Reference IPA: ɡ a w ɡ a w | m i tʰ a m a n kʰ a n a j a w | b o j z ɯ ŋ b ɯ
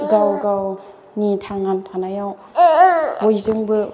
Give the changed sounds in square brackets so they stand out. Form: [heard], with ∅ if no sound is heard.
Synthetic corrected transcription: ɡ a w ɡ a w | [n] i tʰ a [ŋ] a n [tʰ] a n a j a w | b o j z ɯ ŋ b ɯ